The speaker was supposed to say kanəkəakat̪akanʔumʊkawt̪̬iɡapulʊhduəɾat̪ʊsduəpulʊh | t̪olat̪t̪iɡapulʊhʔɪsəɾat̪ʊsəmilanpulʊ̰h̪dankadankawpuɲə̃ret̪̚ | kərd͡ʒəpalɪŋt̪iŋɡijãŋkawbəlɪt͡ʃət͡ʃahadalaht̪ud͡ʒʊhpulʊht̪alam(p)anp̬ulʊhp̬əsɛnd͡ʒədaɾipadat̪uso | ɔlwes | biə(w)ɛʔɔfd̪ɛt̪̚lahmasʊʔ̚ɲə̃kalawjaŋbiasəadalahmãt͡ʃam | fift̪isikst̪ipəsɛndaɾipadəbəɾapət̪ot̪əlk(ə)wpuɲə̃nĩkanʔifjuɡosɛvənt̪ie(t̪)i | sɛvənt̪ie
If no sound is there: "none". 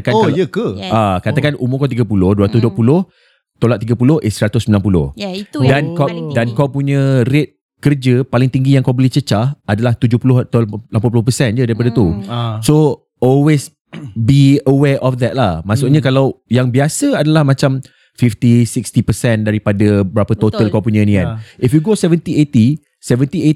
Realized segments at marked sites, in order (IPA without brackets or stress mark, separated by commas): p, w, a, t̪